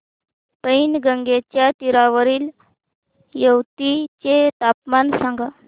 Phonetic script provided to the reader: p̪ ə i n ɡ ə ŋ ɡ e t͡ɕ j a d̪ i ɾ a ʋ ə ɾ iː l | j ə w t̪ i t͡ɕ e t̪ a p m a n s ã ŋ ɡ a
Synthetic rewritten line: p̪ ə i n ɡ ə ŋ ɡ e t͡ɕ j a t̪ i ɾ a ʋ ə ɾ iː l | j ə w t̪ i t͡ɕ e t̪ a p m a n s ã ŋ ɡ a